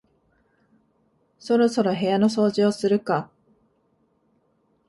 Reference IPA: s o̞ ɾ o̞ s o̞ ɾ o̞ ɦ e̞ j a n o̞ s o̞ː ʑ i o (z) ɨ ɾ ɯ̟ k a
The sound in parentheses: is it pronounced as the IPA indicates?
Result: no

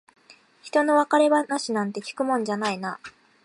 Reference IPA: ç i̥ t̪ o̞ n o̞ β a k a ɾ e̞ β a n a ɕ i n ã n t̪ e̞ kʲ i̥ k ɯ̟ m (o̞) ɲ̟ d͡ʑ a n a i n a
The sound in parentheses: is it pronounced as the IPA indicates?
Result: no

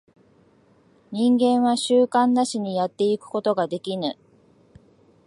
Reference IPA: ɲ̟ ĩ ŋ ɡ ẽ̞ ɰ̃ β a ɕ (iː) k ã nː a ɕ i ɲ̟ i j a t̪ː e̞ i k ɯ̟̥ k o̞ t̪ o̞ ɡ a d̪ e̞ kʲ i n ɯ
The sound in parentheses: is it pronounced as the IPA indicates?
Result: no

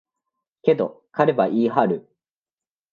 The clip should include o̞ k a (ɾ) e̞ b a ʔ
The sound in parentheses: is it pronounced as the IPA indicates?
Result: yes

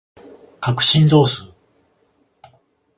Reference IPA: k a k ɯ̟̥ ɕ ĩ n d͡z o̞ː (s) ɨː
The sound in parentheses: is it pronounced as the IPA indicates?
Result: yes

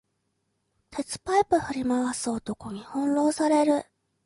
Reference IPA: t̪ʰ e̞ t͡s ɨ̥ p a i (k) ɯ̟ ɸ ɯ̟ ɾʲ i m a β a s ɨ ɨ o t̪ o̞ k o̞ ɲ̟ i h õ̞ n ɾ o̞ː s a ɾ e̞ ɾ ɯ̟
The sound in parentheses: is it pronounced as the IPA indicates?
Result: no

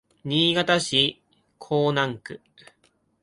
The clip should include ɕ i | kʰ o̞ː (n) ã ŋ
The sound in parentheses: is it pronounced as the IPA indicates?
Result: yes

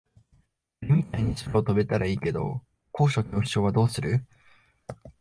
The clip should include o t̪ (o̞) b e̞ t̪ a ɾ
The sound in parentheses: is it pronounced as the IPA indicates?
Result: yes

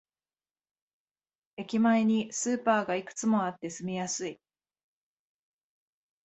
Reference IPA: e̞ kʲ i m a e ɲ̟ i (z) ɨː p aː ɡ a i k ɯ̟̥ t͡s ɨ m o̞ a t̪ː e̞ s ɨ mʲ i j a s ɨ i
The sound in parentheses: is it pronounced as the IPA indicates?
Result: no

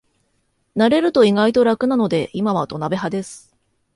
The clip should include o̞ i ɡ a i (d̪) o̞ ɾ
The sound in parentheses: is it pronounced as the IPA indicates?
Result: no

